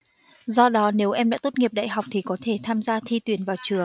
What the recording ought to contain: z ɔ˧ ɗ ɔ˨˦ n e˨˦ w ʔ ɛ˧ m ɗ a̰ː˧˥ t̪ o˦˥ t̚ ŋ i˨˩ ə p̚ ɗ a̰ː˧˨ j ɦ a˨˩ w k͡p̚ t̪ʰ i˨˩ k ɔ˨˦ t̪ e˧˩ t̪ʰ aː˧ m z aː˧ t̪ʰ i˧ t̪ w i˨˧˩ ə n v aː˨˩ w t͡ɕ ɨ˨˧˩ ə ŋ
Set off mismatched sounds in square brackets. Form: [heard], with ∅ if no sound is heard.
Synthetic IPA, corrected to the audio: z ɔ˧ ɗ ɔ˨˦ n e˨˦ w ʔ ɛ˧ m ɗ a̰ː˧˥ t̪ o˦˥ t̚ ŋ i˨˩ ə p̚ ɗ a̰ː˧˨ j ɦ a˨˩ w k͡p̚ t̪ʰ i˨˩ k ɔ˨˦ [t̪ʰ] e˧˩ t̪ʰ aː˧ m z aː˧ t̪ʰ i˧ t̪ w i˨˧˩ ə n v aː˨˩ w t͡ɕ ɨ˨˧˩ ə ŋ